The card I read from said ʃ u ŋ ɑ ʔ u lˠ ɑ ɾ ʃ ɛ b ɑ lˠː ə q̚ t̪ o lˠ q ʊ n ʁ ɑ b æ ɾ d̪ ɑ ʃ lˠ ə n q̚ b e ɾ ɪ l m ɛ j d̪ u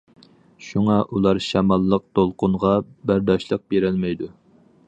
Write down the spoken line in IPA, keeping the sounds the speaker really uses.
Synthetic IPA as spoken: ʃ u ŋ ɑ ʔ u lˠ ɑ ɾ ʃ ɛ m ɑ lˠː ə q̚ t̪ o lˠ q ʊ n ʁ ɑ b æ ɾ d̪ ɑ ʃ lˠ ə q̚ b e ɾ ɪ l m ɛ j d̪ u

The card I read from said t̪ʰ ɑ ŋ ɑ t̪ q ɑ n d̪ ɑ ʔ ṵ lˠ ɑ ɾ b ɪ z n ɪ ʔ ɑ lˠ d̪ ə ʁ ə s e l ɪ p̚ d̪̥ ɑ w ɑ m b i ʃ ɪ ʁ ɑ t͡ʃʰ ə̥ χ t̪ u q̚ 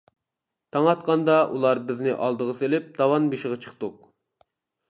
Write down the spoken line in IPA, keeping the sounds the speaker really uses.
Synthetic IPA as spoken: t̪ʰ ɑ ŋ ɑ t̪ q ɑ n d̪ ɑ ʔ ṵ lˠ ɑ ɾ b ɪ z n ɪ ʔ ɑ lˠ d̪ ə ʁ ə s e l ɪ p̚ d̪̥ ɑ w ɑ n b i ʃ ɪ ʁ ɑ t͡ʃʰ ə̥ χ t̪ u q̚

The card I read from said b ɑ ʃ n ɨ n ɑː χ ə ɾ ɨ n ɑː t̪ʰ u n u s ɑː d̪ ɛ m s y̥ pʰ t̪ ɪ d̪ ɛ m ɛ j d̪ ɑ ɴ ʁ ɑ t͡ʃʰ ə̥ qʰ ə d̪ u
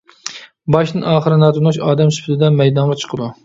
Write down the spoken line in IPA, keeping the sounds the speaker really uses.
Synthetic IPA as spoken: b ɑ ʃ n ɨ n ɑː χ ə ɾ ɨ n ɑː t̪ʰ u n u ʃ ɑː d̪ ɛ m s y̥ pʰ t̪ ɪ d̪ ɛ m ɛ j d̪ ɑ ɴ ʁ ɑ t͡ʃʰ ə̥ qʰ ə d̪ u

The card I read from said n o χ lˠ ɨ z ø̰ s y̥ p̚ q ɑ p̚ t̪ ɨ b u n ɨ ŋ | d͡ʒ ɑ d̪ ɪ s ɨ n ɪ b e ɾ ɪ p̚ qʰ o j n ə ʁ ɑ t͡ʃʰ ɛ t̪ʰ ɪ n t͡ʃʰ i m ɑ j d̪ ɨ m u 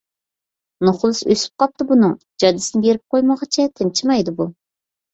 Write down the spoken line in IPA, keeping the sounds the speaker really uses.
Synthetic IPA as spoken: n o χ lˠ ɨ s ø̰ s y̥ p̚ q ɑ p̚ t̪ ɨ b u n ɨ ŋ | d͡ʒ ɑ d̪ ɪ s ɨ n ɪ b e ɾ ɪ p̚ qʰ o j m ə ʁ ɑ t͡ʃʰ ɛ t̪ʰ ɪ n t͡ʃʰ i m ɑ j d̪ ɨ b u

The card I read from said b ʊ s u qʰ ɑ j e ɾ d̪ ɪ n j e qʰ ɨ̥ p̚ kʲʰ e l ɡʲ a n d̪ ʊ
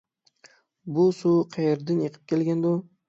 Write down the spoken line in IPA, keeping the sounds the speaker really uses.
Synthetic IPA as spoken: b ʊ s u qʰ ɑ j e ɾ d̪ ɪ n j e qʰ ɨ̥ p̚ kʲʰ e l ɡʲ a n d̪ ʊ

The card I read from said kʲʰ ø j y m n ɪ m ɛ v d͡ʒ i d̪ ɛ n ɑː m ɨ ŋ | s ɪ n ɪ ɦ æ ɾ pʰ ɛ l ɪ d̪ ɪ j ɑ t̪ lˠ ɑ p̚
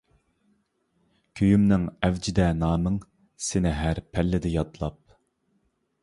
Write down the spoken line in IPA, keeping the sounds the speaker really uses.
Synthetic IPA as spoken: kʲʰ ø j y m n ɪ ŋ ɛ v d͡ʒ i d̪ ɛ n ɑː m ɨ ŋ | s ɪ n ɪ ɦ æ ɾ pʰ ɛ lː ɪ d̪ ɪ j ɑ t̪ lˠ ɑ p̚

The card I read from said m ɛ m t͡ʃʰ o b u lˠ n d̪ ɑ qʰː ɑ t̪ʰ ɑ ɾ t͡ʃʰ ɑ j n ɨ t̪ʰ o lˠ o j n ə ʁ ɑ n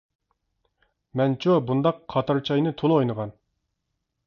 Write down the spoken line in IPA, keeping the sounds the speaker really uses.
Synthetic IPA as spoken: m ɛ n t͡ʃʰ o b u n d̪ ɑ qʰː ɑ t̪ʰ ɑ ɾ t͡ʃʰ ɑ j n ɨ t̪ʰ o lˠ o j n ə ʁ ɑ n

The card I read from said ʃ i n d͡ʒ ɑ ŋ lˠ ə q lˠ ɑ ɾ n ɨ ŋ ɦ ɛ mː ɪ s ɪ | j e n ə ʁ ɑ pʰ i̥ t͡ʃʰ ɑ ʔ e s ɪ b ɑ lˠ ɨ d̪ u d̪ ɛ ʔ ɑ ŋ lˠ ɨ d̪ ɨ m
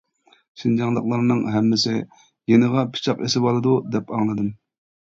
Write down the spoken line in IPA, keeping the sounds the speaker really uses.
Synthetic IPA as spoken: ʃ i n d͡ʒ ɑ ŋ lˠ ə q lˠ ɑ ɾ n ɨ ŋ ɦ ɛ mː ɪ s ɪ | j e n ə ʁ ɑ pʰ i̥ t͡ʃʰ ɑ q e s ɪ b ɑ lˠ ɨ d̪ u d̪ ɛ p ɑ ŋ lˠ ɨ d̪ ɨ m

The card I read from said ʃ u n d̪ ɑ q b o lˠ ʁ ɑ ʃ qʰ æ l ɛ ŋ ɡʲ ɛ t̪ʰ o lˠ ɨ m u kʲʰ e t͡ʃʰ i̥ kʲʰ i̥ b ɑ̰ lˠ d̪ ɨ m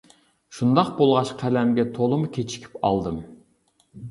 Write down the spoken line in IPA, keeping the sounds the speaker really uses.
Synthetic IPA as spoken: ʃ u n d̪ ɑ q b o lˠ ʁ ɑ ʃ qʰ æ l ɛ m ɡʲ ɛ t̪ʰ o lˠ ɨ m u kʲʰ e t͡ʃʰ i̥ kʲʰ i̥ p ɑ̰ lˠ d̪ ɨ m

